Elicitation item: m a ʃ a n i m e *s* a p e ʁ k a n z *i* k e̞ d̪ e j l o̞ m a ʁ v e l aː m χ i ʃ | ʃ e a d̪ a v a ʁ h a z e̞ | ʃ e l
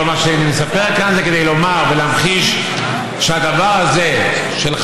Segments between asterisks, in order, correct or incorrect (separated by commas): correct, incorrect